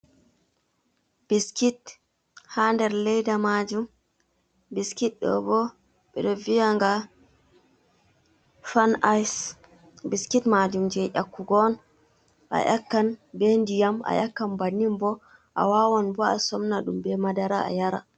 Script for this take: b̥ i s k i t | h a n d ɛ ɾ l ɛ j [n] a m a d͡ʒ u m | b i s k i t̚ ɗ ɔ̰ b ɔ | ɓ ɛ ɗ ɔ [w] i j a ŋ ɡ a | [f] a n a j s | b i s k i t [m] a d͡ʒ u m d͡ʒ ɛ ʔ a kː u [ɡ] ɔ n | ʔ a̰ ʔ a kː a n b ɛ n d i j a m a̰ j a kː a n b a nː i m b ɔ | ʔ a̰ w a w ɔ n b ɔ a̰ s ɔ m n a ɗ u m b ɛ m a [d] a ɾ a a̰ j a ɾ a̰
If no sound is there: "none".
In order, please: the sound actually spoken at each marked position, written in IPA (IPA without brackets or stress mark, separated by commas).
d, v, f, m, ɡ, d